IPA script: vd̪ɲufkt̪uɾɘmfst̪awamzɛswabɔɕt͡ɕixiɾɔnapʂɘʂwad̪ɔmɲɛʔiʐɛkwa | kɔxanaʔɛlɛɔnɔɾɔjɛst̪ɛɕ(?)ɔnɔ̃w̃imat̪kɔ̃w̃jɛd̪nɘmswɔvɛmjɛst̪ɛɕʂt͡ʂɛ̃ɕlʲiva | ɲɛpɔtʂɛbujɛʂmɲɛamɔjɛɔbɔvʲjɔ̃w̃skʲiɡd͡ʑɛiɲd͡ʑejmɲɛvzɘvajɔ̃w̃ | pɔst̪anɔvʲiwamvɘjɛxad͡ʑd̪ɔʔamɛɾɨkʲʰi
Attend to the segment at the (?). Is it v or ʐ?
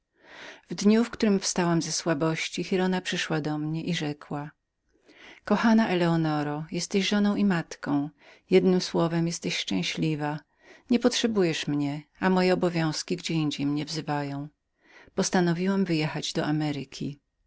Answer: ʐ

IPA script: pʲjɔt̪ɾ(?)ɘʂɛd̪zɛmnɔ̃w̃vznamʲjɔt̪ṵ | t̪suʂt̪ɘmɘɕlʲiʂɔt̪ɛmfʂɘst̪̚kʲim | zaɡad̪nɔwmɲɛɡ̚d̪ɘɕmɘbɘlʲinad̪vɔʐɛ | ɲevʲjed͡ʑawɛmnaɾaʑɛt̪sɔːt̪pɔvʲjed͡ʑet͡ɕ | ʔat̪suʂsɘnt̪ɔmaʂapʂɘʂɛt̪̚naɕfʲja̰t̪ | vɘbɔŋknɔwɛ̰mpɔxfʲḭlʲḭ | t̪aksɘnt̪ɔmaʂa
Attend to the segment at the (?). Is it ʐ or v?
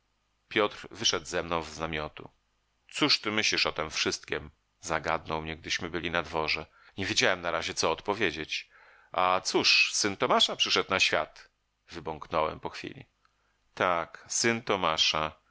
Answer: v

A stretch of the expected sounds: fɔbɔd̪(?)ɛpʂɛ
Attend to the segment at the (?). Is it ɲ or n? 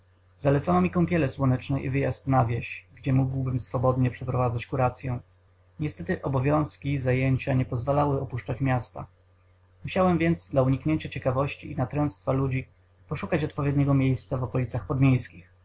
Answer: ɲ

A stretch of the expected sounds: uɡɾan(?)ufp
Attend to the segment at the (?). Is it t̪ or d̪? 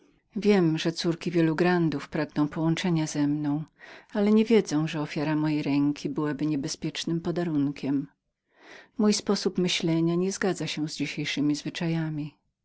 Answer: d̪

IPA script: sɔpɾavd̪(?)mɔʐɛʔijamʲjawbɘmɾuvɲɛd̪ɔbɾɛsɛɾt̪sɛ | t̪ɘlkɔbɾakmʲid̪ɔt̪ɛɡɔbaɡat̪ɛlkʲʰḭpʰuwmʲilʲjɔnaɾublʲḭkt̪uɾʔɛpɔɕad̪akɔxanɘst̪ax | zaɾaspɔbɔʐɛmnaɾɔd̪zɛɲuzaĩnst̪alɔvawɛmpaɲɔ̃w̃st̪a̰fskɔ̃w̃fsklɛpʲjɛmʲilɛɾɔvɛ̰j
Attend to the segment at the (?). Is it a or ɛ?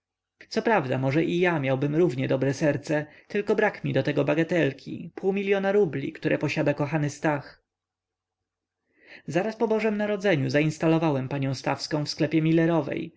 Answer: a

